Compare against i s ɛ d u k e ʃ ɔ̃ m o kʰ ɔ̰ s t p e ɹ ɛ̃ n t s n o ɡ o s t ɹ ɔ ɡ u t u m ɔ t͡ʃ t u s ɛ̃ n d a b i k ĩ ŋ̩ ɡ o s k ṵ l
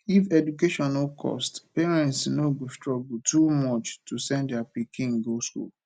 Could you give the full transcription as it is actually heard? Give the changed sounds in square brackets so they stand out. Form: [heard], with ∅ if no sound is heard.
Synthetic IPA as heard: i [f] ɛ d u k e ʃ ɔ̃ [n] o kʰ ɔ̰ s t p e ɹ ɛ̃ n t s n o ɡ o s t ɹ ɔ ɡ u t u m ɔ t͡ʃ t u s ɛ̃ n d a [p] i k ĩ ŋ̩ ɡ o s k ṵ l